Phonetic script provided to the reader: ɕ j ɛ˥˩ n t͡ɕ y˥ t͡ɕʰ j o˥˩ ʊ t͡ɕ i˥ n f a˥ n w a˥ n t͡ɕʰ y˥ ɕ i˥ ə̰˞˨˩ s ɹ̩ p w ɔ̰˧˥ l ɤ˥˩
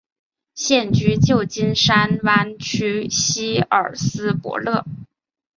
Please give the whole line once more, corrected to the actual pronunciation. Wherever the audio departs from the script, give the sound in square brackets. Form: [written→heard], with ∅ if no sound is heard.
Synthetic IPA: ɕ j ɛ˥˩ n t͡ɕ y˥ [t͡ɕʰ→t͡ɕ] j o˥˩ ʊ t͡ɕ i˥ n [f→ʂ] a˥ n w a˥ n t͡ɕʰ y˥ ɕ i˥ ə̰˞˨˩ s ɹ̩ p w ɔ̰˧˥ l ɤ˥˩

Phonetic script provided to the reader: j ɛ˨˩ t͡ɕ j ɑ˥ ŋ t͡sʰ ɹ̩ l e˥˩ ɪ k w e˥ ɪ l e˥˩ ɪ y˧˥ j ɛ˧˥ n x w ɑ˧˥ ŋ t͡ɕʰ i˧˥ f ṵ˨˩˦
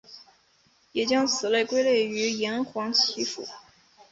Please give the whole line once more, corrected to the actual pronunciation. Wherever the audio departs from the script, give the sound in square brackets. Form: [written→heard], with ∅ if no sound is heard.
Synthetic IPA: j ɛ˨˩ t͡ɕ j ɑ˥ ŋ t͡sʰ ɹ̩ l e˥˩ ɪ k w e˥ ɪ l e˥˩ ɪ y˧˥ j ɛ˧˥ n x w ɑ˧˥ ŋ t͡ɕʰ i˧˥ f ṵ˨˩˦

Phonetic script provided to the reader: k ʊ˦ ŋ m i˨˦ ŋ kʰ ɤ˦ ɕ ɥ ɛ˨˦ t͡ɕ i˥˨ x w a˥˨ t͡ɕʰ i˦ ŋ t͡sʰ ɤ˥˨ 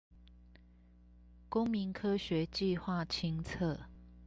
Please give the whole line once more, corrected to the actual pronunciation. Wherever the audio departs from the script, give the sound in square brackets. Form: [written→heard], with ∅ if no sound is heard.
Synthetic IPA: k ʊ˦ ŋ m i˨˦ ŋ kʰ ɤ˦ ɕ ɥ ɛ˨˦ t͡ɕ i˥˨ x w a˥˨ t͡ɕʰ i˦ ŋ t͡sʰ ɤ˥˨

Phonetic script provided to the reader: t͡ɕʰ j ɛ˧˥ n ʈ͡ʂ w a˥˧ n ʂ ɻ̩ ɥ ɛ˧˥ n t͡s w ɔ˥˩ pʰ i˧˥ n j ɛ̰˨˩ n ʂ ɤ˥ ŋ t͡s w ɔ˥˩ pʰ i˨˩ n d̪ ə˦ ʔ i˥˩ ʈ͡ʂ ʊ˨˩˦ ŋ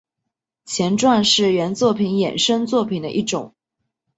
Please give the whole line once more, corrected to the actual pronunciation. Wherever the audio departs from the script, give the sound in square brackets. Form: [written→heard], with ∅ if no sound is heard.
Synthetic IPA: t͡ɕʰ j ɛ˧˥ n ʈ͡ʂ w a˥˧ n ʂ ɻ̩ ɥ ɛ˧˥ n t͡s w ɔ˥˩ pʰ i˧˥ n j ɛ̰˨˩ n ʂ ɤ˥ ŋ t͡s w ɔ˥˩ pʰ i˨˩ n d̪ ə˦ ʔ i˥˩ ʈ͡ʂ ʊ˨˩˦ ŋ

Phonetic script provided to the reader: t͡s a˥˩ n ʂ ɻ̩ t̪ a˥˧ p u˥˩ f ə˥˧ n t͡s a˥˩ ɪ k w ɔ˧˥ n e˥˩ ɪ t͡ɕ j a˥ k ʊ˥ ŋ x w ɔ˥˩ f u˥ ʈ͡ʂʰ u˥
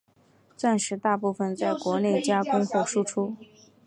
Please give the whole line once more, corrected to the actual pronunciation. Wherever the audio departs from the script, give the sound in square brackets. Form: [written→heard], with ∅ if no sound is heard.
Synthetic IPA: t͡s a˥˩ n ʂ ɻ̩ t̪ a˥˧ p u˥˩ f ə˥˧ n t͡s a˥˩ ɪ k w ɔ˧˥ n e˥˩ ɪ t͡ɕ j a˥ k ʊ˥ ŋ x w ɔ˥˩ [f→ʂ] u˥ ʈ͡ʂʰ u˥

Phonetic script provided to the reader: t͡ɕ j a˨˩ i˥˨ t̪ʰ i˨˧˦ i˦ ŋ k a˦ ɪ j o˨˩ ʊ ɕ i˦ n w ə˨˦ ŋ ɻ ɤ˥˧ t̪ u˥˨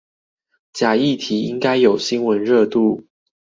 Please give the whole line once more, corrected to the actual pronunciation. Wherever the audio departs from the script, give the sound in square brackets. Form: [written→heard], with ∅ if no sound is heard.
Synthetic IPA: t͡ɕ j a˨˩ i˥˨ t̪ʰ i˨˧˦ i˦ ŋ k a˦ ɪ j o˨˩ ʊ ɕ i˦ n w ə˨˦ [ŋ→n] ɻ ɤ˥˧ t̪ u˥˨

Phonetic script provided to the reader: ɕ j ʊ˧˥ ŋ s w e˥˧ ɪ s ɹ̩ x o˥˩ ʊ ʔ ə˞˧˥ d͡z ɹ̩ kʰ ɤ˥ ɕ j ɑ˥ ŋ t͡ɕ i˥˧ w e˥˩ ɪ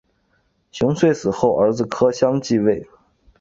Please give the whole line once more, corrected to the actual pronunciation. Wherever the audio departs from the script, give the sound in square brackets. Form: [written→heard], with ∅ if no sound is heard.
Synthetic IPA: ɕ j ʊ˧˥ ŋ s w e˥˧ ɪ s ɹ̩ x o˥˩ ʊ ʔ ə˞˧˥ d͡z ɹ̩ kʰ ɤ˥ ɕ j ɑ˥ ŋ t͡ɕ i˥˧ w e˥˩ ɪ

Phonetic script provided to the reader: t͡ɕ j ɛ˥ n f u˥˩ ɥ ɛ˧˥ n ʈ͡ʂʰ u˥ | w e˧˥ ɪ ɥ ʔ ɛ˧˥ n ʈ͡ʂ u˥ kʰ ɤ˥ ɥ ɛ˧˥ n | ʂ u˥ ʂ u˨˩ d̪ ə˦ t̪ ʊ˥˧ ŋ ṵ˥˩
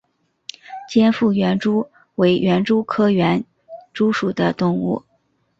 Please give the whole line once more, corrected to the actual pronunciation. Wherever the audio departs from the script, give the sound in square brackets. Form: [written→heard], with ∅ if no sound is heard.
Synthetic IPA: t͡ɕ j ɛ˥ n f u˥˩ ɥ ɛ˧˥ n [ʈ͡ʂʰ→ʈ͡ʂ] u˥ | w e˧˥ ɪ ɥ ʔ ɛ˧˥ n ʈ͡ʂ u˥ kʰ ɤ˥ ɥ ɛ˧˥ n | [ʂ→ʈ͡ʂ] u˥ ʂ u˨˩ d̪ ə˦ t̪ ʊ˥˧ ŋ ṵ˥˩

